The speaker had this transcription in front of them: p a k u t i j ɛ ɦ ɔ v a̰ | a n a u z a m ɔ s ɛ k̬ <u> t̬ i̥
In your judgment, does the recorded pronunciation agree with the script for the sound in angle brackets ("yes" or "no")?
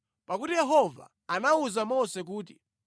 no